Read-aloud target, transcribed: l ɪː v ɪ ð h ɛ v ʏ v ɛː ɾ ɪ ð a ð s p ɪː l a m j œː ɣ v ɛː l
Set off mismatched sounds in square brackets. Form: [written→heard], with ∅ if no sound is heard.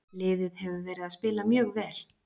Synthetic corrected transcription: l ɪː [v→ð] ɪ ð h ɛ v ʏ v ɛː ɾ ɪ ð a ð s p ɪː l a m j œː ɣ v ɛː l